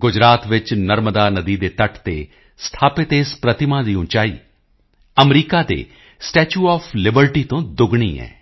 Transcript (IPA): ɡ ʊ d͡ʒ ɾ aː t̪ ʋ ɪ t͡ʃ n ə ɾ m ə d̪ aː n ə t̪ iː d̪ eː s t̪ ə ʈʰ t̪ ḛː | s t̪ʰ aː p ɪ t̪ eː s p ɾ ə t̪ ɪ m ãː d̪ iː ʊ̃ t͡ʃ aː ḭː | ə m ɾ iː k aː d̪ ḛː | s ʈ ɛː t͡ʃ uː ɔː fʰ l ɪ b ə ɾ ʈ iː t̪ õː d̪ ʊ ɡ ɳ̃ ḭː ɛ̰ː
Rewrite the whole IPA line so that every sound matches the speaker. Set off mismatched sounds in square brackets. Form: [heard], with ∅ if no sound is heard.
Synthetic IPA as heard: ɡ ʊ d͡ʒ ɾ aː t̪ ʋ ɪ t͡ʃ n ə ɾ m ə d̪ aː n ə [d̪] iː d̪ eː [∅] t̪ ə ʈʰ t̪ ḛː | s t̪ʰ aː p ɪ t̪ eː s p ɾ ə t̪ ɪ m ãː d̪ iː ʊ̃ t͡ʃ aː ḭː | ə m ɾ iː k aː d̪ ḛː | s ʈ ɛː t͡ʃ uː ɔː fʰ l ɪ b ə ɾ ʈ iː t̪ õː d̪ ʊ ɡ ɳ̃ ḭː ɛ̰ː